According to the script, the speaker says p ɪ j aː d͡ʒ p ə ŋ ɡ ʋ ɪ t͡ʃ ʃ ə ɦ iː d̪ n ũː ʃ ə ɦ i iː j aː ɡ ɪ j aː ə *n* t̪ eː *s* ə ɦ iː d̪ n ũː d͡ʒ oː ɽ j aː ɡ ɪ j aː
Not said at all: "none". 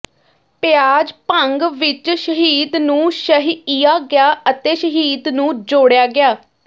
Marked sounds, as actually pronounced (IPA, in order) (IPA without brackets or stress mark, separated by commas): none, ʃ